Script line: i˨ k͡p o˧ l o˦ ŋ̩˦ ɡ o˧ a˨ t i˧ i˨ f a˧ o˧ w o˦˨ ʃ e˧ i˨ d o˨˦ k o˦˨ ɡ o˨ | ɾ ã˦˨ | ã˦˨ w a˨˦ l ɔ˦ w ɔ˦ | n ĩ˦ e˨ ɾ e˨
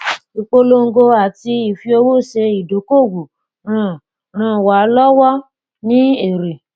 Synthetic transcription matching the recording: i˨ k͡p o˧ l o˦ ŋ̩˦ ɡ o˧ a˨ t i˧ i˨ f i˧ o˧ w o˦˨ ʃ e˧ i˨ d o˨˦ k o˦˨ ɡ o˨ | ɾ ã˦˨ | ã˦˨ w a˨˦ l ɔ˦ w ɔ˦ | n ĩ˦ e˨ ɾ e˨